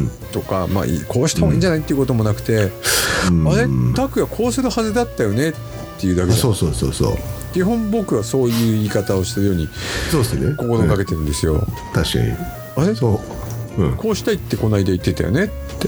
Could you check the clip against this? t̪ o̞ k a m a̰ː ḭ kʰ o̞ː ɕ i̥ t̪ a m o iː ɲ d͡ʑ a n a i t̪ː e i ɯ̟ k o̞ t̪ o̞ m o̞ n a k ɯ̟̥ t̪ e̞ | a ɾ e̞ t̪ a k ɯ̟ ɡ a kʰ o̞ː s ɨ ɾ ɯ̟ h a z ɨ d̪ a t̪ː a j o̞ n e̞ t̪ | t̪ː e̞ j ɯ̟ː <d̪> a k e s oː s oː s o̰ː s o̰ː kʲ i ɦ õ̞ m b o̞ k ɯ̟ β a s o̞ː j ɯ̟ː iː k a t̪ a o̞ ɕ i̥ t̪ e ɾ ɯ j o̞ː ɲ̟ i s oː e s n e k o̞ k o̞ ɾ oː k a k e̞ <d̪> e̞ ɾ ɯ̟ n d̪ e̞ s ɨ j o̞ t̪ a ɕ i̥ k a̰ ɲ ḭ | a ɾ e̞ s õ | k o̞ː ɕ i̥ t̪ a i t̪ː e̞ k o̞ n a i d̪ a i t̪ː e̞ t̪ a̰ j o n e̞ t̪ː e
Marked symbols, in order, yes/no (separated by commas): yes, no